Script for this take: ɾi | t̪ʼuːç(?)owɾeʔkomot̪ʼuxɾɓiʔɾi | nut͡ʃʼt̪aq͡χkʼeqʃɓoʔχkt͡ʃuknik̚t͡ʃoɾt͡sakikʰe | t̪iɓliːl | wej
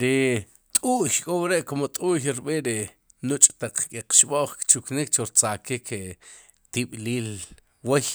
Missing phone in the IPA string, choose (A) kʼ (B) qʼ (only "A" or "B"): A